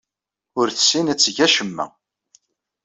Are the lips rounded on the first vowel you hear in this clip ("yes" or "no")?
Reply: yes